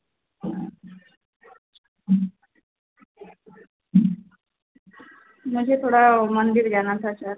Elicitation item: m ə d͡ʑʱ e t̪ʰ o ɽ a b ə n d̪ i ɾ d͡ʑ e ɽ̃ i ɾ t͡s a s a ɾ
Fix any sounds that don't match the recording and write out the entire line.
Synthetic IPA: m ə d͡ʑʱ e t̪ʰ o ɽ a m ə n d̪ i ɾ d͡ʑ a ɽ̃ a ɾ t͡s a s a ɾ